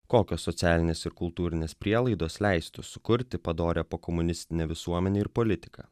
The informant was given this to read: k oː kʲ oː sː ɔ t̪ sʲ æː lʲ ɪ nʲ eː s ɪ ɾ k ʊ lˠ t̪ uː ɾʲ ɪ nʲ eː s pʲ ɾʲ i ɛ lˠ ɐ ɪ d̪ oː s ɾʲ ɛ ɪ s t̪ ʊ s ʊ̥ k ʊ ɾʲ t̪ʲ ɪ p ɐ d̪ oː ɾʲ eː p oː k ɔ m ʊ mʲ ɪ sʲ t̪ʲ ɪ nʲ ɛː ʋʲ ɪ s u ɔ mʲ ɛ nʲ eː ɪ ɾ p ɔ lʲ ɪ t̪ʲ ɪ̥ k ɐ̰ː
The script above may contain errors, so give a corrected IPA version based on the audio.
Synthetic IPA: k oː kʲ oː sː ɔ t̪ sʲ æː lʲ ɪ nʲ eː s ɪ ɾ k ʊ lˠ t̪ uː ɾʲ ɪ nʲ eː s pʲ ɾʲ i ɛ lˠ ɐ ɪ d̪ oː s lʲ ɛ ɪ s t̪ ʊ s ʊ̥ k ʊ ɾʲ t̪ʲ ɪ p ɐ d̪ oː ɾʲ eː p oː k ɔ m ʊ nʲ ɪ sʲ t̪ʲ ɪ nʲ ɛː ʋʲ ɪ s u ɔ mʲ ɛ nʲ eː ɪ ɾ p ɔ lʲ ɪ t̪ʲ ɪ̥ k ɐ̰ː